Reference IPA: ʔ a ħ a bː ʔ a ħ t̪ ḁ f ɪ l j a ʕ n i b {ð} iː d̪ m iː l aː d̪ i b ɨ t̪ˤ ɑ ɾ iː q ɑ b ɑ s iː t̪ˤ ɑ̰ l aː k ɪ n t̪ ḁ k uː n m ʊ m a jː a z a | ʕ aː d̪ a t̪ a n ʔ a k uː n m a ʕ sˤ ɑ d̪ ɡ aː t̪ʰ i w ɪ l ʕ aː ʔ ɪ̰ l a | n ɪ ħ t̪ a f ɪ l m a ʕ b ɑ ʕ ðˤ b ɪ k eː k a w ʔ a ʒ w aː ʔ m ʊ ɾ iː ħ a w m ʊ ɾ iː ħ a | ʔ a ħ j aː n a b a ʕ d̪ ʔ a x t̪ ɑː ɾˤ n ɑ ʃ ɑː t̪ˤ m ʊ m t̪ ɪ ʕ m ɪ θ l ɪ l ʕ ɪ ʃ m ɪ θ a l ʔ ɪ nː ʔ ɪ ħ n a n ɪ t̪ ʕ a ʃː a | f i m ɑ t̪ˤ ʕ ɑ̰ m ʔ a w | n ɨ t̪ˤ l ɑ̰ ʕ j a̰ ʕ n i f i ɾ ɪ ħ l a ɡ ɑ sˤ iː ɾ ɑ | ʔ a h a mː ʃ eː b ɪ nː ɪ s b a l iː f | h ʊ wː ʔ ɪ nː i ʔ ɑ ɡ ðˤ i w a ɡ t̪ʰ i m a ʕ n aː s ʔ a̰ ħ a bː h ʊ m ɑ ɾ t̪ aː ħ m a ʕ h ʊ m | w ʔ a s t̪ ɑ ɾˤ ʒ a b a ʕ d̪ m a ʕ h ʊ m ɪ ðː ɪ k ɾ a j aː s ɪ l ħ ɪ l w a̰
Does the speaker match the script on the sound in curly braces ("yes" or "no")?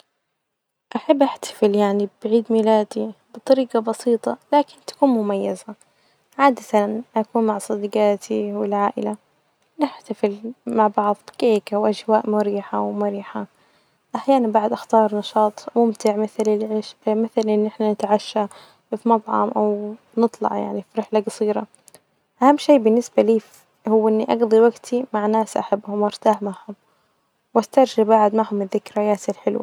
no